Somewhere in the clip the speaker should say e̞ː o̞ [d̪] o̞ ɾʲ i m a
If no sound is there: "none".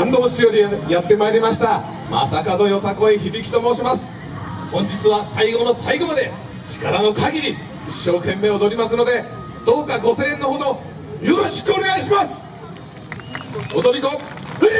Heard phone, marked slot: d̪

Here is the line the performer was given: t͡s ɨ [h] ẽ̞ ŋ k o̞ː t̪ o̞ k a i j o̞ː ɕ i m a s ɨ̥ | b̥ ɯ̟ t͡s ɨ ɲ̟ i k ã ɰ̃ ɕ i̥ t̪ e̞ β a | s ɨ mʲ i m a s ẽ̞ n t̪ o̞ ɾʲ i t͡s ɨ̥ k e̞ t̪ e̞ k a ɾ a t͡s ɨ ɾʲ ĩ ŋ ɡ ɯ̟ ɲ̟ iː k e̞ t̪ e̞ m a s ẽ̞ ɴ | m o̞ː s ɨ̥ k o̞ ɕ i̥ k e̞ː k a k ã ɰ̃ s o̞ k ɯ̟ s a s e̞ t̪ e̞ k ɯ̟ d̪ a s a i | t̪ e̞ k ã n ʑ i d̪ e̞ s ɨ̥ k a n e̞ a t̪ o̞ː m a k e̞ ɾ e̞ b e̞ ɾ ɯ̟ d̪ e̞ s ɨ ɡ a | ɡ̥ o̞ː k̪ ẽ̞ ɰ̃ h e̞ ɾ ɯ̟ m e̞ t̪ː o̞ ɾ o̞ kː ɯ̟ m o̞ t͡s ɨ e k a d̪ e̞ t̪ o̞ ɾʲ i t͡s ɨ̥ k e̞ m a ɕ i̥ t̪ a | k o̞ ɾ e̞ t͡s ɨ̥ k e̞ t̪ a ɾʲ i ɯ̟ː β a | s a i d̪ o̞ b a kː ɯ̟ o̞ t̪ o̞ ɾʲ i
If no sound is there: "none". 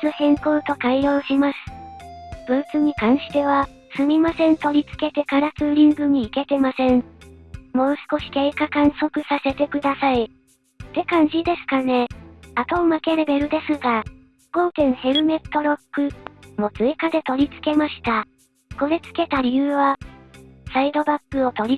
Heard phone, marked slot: h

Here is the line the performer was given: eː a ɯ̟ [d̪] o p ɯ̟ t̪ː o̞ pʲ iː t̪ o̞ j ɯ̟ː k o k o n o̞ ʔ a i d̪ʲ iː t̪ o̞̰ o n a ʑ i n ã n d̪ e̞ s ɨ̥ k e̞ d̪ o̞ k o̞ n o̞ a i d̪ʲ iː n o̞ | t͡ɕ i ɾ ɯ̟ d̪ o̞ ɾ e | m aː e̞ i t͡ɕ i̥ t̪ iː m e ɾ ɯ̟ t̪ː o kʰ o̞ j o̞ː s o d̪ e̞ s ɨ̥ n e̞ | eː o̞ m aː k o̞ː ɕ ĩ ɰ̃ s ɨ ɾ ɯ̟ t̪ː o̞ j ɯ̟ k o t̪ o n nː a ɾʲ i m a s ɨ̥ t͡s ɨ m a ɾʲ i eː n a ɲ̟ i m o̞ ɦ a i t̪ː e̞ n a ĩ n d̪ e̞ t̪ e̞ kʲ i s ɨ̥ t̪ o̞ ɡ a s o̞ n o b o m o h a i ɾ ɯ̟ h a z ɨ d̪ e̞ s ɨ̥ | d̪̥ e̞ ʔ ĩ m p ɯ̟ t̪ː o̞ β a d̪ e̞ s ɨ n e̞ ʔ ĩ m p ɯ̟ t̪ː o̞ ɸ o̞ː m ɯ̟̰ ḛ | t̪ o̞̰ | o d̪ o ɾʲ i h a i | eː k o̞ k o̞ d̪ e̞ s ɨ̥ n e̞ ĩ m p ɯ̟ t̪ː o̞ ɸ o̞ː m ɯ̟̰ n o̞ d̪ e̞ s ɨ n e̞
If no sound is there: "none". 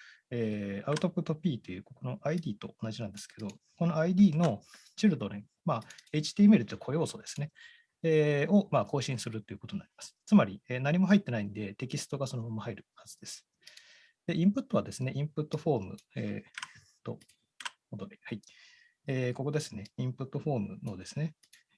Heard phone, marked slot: t̪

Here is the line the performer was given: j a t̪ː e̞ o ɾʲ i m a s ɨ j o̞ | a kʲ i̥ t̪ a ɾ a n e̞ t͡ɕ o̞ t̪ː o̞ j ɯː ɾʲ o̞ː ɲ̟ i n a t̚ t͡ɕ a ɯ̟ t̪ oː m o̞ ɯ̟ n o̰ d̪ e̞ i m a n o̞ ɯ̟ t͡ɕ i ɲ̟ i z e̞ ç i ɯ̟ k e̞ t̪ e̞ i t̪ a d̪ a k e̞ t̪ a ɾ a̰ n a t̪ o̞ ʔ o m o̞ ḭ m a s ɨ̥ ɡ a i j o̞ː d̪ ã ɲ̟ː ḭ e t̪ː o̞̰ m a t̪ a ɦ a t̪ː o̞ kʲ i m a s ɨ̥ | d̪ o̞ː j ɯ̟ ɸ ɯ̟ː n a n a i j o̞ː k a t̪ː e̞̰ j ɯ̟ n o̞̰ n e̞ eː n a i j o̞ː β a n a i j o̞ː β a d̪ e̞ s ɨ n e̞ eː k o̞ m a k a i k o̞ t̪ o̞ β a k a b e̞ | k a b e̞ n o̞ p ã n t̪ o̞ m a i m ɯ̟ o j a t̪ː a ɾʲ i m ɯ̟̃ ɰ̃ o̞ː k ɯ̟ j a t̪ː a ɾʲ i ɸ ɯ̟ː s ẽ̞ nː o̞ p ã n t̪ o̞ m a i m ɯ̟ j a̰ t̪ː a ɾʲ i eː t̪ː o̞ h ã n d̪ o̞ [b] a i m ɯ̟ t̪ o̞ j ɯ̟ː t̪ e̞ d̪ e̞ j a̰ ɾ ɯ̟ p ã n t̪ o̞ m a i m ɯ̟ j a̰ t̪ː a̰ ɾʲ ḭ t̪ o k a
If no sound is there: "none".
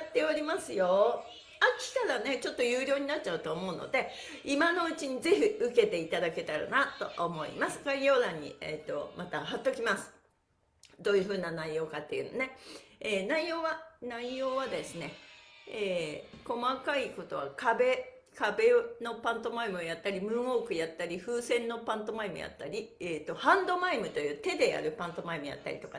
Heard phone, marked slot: m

